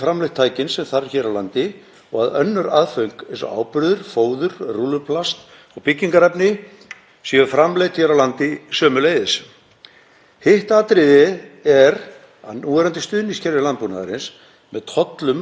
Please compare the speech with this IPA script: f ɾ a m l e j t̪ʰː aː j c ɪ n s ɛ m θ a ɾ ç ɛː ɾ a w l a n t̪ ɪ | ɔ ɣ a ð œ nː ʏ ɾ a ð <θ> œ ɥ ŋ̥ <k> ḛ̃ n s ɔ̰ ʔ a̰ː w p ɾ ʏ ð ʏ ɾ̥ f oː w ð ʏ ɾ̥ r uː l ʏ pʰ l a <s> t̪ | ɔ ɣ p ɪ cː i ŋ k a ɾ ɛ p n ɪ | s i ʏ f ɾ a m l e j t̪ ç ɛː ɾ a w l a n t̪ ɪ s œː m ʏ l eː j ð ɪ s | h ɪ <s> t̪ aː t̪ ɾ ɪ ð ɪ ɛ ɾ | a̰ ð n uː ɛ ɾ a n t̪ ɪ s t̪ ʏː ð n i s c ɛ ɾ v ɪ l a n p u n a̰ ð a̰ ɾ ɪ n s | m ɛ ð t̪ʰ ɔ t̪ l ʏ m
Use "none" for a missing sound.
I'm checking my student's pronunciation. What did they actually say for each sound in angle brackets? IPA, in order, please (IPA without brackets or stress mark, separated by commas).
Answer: f, k, s, h